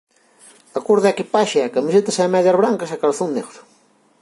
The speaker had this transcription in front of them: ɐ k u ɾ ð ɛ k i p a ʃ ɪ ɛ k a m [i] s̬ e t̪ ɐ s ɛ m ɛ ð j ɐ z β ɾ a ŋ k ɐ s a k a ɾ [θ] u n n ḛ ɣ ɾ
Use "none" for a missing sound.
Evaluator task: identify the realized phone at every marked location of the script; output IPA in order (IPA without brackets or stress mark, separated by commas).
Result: i, θ